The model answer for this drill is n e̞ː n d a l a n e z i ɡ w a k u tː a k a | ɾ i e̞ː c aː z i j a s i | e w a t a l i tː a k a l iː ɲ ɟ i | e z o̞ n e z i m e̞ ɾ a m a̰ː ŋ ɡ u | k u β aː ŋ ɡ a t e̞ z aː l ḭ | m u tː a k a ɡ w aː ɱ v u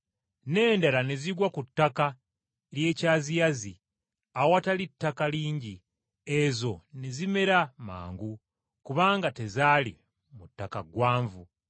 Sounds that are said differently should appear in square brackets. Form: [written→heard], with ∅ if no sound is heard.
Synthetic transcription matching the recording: n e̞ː n d a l a n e z i ɡ w a k u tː a k a | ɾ [i→j] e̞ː c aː z i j a [s→z] i | [e→a] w a t a l i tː a k a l iː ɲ ɟ i | e z o̞ n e z i m e̞ ɾ a m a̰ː ŋ ɡ u | k u β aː ŋ ɡ a t e̞ z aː l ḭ | m u tː a k a ɡ w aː ɱ v u